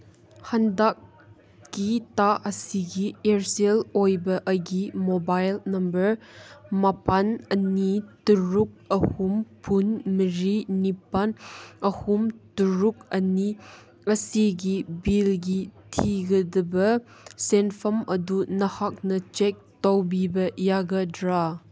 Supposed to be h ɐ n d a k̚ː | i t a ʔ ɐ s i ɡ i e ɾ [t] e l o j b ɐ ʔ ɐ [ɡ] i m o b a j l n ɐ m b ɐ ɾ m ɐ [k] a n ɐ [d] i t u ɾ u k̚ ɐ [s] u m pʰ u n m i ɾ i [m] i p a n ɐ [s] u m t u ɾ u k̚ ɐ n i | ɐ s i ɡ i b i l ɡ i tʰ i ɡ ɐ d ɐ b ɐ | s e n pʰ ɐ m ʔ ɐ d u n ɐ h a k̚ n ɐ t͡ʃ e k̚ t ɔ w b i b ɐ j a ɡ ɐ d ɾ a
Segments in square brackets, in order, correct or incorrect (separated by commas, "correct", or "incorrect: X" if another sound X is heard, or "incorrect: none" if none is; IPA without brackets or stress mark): incorrect: s, correct, incorrect: p, incorrect: n, incorrect: h, incorrect: n, incorrect: h